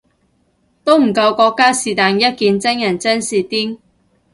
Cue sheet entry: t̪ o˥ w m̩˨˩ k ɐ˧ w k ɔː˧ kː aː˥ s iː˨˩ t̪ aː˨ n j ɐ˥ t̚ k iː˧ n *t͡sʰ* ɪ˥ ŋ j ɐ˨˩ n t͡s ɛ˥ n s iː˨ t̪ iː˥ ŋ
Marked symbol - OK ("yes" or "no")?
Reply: no